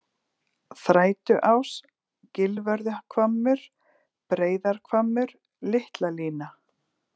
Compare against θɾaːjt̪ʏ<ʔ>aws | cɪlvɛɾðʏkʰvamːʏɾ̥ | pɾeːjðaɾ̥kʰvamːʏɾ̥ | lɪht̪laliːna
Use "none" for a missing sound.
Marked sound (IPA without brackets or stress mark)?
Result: ʔ